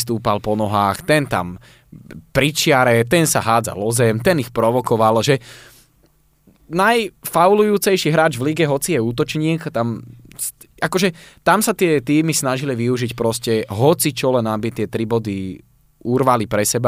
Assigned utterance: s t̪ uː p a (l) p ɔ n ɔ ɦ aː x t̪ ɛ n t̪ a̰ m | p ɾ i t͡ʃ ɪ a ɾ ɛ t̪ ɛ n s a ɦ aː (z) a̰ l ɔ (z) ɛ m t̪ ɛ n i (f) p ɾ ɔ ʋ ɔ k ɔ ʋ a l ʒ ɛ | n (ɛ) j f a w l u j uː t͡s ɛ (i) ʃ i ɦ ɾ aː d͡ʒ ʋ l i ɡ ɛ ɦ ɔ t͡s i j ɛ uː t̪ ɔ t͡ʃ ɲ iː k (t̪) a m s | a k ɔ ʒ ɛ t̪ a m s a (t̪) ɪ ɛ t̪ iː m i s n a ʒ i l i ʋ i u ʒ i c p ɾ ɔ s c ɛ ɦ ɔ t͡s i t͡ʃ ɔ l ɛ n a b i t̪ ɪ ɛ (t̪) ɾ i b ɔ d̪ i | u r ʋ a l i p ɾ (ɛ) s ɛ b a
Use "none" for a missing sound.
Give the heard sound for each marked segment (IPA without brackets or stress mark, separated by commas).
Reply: l, d͡z, z, x, a, j, t̪, t̪, t̪, ɛ